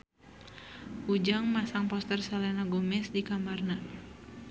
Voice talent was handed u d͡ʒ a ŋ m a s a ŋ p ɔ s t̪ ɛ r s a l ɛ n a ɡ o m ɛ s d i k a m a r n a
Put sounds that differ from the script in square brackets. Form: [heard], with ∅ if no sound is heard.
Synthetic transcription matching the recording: u d͡ʒ a ŋ m a s a ŋ p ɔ s t̪ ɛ r s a l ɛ n a ɡ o m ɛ s d i k a m a r n a